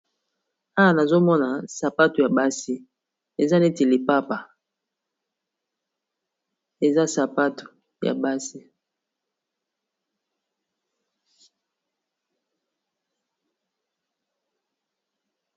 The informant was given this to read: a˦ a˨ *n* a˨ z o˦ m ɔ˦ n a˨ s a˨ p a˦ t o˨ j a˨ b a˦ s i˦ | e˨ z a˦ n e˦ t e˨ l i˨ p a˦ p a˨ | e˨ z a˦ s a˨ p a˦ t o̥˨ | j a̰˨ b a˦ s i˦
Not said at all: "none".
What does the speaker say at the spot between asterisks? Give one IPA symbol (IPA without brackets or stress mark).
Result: n